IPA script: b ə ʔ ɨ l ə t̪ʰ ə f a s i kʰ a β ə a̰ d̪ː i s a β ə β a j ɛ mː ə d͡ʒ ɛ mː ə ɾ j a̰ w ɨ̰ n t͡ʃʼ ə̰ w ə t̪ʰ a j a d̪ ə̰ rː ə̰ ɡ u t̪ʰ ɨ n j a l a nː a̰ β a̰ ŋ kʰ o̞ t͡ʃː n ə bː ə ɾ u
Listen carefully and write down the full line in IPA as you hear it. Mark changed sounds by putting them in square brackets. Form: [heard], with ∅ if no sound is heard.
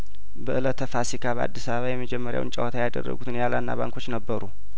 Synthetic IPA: b ə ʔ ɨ l ə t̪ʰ ə f a s i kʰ a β ə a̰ d̪ː i s a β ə β a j ɛ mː ə d͡ʒ ɛ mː ə ɾ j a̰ w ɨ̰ n t͡ʃʼ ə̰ w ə t̪ʰ a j a d̪ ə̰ rː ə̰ ɡ u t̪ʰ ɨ n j a l a nː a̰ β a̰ ŋ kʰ o̞ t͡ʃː n ə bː ə ɾ u

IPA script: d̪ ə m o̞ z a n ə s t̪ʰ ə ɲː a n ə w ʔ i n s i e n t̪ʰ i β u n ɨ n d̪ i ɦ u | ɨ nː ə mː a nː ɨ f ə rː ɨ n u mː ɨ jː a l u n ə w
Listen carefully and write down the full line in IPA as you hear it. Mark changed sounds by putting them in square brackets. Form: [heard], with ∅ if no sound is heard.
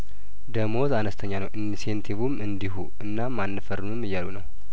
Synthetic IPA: d̪ ə m o̞ z a n ə s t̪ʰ ə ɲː a n ə w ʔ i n s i e n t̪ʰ i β u [m] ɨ n d̪ i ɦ u | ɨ nː [a] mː a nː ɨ f ə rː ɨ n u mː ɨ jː a l u n ə w

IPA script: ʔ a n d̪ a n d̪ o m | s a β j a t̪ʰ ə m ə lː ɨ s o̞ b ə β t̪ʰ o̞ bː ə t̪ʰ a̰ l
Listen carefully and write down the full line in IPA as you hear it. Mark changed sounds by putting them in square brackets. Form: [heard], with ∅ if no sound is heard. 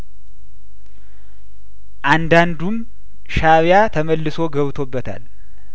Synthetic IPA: ʔ a n d̪ a n d̪ [u] m | [ʃ] a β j a t̪ʰ ə m ə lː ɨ s o̞ [ɡ] ə β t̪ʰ o̞ bː ə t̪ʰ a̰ l

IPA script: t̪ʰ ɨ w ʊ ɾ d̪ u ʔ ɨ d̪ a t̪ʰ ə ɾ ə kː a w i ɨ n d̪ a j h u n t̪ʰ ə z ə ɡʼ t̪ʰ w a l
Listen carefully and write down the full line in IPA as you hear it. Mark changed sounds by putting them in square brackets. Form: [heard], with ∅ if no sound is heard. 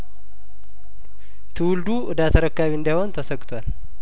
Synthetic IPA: t̪ʰ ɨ w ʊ [l] d̪ u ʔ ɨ d̪ a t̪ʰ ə ɾ ə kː a [β] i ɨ n d̪ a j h [o] n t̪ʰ ə [s] ə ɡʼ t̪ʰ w a l

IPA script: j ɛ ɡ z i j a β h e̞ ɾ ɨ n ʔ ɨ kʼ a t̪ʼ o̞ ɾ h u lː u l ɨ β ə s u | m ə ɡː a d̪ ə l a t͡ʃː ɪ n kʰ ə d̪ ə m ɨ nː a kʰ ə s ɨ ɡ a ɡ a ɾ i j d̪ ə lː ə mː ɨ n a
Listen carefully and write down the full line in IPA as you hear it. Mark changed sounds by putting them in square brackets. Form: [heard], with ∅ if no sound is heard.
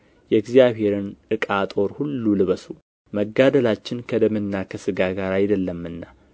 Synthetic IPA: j ɛ ɡ z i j a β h e̞ ɾ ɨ n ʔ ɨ kʼ a t̪ʼ o̞ ɾ h u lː u l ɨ β ə s u | m ə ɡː a d̪ ə l a t͡ʃː ɪ n kʰ ə d̪ ə m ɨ nː a kʰ ə s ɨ ɡ a ɡ a ɾ [a] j d̪ ə lː ə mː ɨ [nː] a

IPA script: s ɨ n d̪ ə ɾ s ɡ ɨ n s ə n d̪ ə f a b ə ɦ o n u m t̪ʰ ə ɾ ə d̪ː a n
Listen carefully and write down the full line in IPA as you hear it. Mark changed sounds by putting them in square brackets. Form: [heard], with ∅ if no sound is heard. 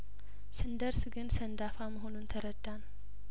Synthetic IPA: s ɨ n d̪ ə ɾ s ɡ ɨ n s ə n d̪ [a] f a [m] ə ɦ o n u [n] t̪ʰ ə ɾ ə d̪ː a n

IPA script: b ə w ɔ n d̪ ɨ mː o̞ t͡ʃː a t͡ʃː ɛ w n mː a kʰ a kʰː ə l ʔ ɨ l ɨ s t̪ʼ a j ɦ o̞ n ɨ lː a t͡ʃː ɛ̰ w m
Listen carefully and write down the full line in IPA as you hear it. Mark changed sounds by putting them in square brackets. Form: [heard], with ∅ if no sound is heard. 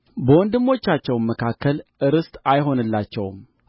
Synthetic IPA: b ə w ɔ n d̪ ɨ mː o̞ t͡ʃː a t͡ʃː ɛ w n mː [ə] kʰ a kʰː ə l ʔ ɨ [ɾ] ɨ s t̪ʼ a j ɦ o̞ n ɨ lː a t͡ʃː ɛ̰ w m

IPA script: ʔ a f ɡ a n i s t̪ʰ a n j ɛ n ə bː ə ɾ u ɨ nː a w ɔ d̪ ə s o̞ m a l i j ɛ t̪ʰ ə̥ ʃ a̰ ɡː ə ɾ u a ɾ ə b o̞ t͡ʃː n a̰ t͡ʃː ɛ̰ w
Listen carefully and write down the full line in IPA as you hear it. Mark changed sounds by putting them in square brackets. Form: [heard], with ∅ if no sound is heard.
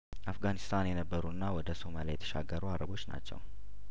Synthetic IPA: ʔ a f ɡ a n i s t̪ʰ a n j ɛ n ə bː ə ɾ u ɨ nː a w ɔ d̪ ə s o̞ m a l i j ɛ t̪ʰ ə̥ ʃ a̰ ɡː ə ɾ u a ɾ ə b o̞ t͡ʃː n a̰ t͡ʃː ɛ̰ w

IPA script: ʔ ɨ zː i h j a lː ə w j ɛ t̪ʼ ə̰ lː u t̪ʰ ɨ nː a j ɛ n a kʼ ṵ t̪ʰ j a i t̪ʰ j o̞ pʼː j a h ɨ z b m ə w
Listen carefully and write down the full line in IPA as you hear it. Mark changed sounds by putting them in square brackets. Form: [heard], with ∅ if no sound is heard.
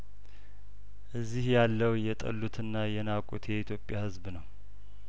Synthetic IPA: ʔ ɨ zː i h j a lː ə w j ɛ t̪ʼ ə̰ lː u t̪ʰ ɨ nː a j ɛ n a kʼ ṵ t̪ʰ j [ɛ] i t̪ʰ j o̞ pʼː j a h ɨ z b [n] ə w

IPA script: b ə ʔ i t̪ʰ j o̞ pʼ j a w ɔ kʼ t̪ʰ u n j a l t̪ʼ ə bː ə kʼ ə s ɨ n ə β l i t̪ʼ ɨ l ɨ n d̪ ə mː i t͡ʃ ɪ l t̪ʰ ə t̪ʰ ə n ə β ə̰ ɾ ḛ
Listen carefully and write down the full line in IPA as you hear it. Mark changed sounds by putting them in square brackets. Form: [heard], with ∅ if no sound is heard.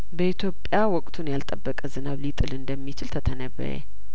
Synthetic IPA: b ə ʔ i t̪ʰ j o̞ pʼ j a w ɔ kʼ t̪ʰ u n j a l t̪ʼ ə bː ə kʼ ə [z] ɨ n [a] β l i t̪ʼ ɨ l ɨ n d̪ ə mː i t͡ʃ ɪ l t̪ʰ ə t̪ʰ ə n ə β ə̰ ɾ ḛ

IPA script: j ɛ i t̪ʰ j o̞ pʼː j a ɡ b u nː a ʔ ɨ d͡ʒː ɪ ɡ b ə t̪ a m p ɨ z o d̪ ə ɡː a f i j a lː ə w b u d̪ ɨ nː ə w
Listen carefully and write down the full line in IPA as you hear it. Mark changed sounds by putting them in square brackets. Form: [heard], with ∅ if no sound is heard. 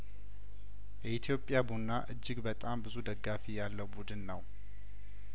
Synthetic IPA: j ɛ i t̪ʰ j o̞ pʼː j a [∅] b u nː a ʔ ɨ d͡ʒː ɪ ɡ b ə [t̪ʼ] a m [b] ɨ z [u] d̪ ə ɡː a f i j a lː ə w b u d̪ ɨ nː ə w

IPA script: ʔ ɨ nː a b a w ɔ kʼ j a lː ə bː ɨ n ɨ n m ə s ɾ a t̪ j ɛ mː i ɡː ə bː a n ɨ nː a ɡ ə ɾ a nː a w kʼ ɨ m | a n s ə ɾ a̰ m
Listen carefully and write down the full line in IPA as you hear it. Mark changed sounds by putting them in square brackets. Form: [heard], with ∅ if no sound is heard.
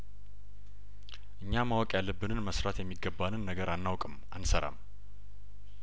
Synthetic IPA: ʔ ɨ [ɲː] a [m] a w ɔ kʼ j a lː ə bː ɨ n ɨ n m ə s ɾ a t̪ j ɛ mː i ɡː ə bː a n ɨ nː [ə] ɡ ə ɾ a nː a w kʼ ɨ m | a n s ə ɾ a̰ m

